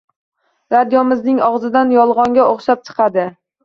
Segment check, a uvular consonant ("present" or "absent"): present